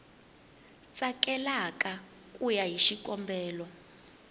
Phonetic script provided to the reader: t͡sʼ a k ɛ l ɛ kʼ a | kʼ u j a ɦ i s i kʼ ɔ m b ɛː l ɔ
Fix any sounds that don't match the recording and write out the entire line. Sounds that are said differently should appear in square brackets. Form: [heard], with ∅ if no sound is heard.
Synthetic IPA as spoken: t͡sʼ a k ɛ l [a] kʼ a | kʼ u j a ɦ i [ʃ] i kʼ ɔ m b ɛː l ɔ